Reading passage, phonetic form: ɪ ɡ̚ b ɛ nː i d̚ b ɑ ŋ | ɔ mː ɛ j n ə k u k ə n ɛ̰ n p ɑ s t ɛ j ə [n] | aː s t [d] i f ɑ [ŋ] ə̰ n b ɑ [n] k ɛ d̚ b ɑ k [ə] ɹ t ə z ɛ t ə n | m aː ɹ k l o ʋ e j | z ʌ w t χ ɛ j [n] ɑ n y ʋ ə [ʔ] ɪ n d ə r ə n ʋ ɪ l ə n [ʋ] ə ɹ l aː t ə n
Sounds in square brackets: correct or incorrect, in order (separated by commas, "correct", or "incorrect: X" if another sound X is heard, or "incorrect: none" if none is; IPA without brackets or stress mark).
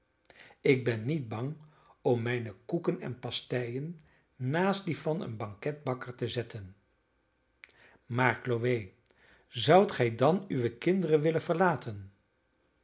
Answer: incorrect: nː, correct, incorrect: n, incorrect: ŋ, correct, incorrect: d, incorrect: k, incorrect: v